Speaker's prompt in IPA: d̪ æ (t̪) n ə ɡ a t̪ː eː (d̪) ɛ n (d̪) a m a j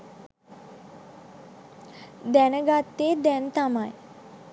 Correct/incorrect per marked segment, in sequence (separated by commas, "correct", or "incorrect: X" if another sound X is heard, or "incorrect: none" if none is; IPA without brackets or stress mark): incorrect: none, correct, incorrect: t̪